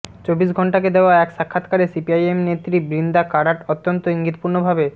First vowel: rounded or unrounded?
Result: rounded